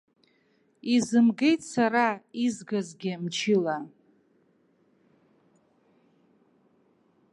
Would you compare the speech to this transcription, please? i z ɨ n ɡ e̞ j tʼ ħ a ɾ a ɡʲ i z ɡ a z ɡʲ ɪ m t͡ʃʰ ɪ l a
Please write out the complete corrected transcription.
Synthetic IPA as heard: i z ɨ m ɡ e̞ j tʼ s a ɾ a i z ɡ a z ɡʲ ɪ m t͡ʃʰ ɪ l a